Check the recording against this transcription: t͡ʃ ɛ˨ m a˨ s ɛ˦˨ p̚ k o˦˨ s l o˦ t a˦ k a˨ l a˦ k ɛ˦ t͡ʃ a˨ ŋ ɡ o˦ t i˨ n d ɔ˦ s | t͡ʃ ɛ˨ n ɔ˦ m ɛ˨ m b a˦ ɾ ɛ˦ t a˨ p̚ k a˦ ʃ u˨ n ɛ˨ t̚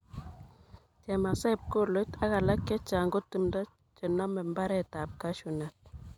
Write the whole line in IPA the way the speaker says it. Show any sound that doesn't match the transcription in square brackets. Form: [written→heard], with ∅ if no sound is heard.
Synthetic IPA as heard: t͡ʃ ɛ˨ m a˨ s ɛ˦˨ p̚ k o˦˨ [s→∅] l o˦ t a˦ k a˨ l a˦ k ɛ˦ t͡ʃ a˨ ŋ ɡ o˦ t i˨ [n→m] d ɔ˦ [s→∅] | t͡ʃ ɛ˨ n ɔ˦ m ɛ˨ m b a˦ ɾ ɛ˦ t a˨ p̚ k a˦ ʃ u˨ n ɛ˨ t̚